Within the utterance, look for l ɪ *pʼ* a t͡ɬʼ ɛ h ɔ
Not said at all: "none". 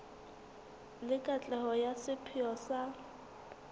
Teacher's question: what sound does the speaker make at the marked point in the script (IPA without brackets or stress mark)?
kʼ